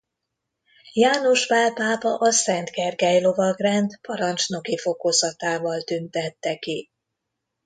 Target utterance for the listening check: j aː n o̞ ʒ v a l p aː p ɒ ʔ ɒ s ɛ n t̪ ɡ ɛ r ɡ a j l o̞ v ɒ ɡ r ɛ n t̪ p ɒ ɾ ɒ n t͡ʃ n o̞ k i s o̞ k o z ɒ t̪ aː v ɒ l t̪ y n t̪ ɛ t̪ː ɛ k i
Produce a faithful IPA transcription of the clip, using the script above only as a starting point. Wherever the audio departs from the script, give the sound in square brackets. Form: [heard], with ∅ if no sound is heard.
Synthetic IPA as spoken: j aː n o̞ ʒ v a l p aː p ɒ ʔ ɒ s ɛ n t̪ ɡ ɛ r ɡ [ɛ] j l o̞ v ɒ ɡ r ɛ n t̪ p ɒ ɾ ɒ n t͡ʃ n o̞ k i [f] o̞ k o z ɒ t̪ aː v ɒ l t̪ y n t̪ ɛ t̪ː ɛ k i